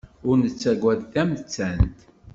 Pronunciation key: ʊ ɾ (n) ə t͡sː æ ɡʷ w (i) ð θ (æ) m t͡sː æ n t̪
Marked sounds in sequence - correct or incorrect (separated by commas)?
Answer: correct, incorrect, correct